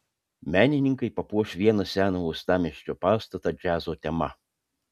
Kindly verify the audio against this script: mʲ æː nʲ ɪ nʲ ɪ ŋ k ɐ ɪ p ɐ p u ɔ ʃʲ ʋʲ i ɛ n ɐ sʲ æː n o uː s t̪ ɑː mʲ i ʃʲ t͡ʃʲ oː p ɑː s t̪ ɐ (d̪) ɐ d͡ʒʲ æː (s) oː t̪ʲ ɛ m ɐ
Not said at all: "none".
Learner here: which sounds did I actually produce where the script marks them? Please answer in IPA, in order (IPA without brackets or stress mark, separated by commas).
t̪, z